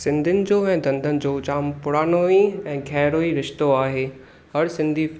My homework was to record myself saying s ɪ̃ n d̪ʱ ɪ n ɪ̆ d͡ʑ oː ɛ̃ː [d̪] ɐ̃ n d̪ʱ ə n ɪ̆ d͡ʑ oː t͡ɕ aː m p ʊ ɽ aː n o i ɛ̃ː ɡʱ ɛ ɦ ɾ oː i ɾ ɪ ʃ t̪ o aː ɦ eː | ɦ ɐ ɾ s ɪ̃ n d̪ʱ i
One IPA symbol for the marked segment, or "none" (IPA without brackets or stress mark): d̪